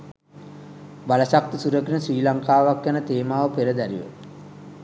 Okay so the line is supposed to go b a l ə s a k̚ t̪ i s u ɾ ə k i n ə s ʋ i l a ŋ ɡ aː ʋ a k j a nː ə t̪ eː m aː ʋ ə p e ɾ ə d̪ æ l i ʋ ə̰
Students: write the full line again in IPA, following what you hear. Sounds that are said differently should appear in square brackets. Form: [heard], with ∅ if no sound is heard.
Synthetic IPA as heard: b a l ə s a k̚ t̪ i s u ɾ ə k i n ə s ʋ [iː] l a ŋ [k] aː ʋ a k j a [n] ə t̪ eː m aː ʋ ə p e ɾ ə d̪ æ [ɾ] i ʋ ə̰

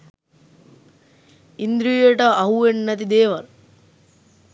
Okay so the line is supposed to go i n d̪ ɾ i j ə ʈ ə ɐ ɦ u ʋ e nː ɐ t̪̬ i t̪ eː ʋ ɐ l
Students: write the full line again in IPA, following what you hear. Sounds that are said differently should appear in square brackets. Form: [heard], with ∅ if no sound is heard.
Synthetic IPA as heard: i n d̪ ɾ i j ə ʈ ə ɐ ɦ u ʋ e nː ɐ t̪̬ i [d̪] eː ʋ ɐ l

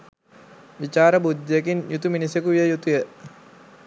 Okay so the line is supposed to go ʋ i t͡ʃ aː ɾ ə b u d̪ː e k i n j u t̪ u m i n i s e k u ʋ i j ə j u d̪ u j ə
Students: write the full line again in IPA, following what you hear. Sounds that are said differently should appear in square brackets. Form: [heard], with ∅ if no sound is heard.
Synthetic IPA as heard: ʋ i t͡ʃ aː ɾ ə b u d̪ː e k i n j u t̪ u m i n i s e k u ʋ i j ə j u [t̪] u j ə

